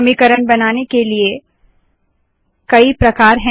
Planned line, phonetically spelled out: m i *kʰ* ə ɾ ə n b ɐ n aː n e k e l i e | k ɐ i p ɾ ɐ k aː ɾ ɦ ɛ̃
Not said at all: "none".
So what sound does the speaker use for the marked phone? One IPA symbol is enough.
k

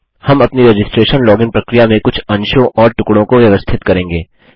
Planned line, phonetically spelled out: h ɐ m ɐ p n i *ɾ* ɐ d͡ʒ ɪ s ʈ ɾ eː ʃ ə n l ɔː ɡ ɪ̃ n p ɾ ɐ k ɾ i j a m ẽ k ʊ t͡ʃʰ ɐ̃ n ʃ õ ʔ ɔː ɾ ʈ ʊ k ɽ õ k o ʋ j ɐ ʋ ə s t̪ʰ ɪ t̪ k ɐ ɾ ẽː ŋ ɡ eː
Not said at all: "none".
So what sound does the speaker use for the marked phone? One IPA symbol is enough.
ɾ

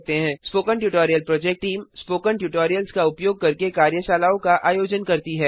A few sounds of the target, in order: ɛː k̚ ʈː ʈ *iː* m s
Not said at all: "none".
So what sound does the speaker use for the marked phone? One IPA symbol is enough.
iː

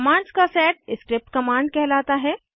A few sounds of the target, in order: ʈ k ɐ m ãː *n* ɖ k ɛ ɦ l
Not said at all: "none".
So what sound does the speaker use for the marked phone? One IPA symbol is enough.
ɳ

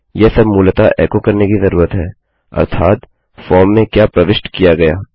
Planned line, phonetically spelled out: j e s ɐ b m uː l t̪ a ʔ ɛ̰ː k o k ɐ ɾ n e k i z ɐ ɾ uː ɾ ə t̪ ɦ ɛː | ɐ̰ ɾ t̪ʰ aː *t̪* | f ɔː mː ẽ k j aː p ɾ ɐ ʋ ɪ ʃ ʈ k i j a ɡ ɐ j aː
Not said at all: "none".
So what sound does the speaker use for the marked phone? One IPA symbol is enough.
t̪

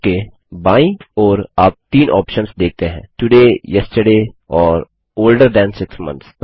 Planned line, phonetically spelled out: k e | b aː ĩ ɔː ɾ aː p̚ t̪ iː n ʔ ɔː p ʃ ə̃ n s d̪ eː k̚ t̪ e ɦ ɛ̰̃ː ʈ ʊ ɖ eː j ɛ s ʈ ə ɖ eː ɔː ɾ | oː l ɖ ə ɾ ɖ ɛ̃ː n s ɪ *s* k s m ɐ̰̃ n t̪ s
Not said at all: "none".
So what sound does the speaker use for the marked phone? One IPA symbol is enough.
none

